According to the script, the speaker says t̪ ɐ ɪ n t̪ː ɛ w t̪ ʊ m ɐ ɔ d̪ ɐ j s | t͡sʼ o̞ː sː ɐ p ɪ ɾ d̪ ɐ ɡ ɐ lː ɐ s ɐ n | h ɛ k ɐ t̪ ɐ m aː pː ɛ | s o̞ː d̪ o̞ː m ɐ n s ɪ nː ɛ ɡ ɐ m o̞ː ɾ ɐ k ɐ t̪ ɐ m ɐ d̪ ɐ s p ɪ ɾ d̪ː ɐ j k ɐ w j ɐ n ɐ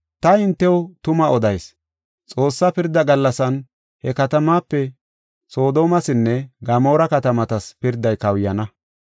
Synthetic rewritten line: t̪ ɐ ɪ n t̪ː ɛ w t̪ ʊ m ɐ ɔ d̪ ɐ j s | t͡sʼ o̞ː sː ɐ p ɪ ɾ d̪ ɐ ɡ ɐ lː ɐ s ɐ n | h ɛ k ɐ t̪ ɐ m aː pː ɛ | s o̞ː d̪ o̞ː m ɐ s ɪ nː ɛ ɡ ɐ m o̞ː ɾ ɐ k ɐ t̪ ɐ m ɐ t̪ ɐ s p ɪ ɾ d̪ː ɐ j k ɐ w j ɐ n ɐ